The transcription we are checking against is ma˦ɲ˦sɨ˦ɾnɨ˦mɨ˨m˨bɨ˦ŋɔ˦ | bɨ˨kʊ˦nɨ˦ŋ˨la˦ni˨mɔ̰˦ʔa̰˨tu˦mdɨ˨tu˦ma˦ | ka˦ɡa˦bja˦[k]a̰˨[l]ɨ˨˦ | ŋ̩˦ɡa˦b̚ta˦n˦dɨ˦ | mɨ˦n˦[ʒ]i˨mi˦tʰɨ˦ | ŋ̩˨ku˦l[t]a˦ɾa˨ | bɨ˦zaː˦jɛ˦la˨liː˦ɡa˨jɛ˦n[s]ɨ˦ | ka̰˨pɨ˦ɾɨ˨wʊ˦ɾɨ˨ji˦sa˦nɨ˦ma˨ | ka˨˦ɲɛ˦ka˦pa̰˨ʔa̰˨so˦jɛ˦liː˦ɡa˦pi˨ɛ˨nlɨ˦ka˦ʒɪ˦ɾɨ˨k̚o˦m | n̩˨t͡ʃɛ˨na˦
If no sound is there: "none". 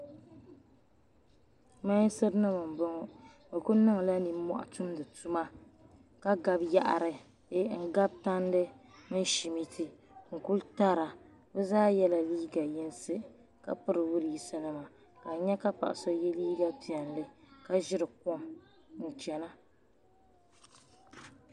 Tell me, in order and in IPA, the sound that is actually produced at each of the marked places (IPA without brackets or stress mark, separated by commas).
ʔ, ɾ, ʃ, t, s